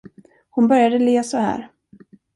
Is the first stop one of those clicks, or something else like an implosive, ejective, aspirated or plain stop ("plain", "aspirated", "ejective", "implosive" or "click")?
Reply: plain